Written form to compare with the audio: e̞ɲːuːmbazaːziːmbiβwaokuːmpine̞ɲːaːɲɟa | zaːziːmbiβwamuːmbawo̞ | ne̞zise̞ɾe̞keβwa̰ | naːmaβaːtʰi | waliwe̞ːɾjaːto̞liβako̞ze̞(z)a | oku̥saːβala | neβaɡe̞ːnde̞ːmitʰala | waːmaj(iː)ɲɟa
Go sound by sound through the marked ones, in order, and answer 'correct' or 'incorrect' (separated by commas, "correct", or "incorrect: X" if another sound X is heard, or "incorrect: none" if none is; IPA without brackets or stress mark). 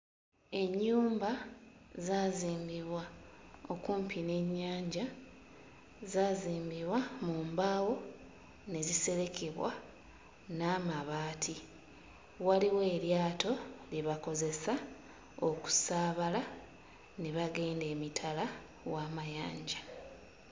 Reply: incorrect: s, incorrect: aː